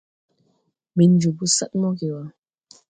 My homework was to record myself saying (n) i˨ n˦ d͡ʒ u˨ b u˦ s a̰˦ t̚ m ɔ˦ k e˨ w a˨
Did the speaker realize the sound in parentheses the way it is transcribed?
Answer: no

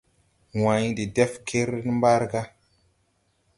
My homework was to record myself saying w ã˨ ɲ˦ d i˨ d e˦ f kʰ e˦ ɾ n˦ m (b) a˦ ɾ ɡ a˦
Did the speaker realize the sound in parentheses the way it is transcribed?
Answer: yes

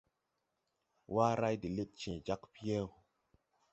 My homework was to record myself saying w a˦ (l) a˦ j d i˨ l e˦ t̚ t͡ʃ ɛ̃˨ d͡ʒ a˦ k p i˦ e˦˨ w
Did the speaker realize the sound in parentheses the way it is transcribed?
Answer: no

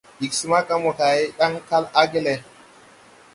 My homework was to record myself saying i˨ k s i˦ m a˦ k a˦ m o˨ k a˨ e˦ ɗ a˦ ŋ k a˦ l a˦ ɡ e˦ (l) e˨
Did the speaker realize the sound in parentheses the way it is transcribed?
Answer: yes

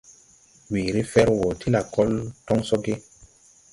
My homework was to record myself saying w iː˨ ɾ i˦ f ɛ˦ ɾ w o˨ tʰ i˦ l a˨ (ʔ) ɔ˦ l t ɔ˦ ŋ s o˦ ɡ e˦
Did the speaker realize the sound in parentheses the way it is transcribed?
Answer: no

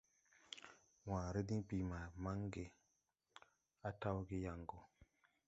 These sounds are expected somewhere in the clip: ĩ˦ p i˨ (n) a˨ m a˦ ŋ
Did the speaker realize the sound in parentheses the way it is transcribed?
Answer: no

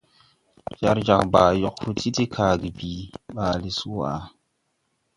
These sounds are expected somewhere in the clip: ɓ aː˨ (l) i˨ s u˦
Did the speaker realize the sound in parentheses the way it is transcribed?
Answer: yes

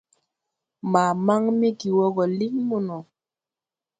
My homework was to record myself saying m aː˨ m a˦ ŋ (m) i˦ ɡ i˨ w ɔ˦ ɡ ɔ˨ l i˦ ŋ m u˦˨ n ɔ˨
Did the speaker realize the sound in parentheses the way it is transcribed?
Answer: yes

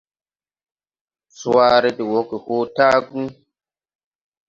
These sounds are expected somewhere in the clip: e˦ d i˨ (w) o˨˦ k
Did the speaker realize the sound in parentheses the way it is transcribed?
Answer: yes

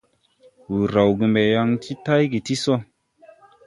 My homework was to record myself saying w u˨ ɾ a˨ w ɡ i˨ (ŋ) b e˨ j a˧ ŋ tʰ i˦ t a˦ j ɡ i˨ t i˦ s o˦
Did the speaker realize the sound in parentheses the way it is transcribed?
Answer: no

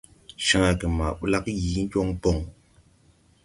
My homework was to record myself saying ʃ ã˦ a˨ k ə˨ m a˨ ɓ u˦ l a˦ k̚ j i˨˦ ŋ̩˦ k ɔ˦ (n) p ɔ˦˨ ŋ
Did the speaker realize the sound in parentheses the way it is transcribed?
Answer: no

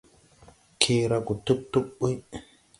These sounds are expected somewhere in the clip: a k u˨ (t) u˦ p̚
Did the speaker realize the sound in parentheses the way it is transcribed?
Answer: yes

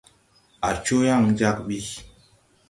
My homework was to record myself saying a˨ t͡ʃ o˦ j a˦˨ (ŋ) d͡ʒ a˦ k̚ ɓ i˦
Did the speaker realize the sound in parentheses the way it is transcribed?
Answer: yes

